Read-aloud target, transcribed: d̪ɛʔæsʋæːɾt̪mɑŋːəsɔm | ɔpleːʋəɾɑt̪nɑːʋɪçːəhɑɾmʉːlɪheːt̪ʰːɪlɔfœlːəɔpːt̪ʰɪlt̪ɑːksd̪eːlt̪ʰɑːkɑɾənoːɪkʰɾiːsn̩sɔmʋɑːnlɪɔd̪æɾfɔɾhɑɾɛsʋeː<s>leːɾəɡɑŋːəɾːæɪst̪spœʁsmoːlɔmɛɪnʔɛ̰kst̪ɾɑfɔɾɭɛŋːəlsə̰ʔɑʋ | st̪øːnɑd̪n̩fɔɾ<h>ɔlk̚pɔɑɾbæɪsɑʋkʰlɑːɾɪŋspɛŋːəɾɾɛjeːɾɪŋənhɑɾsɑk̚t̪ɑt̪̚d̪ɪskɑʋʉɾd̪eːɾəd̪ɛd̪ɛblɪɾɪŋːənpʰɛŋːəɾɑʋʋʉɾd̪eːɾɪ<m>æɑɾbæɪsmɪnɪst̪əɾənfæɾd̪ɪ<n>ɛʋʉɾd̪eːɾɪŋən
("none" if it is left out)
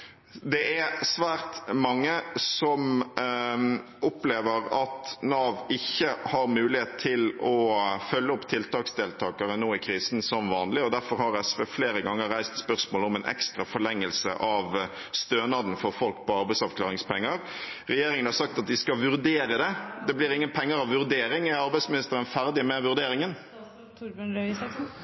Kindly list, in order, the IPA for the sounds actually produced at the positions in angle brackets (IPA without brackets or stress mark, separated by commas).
f, f, ŋ, m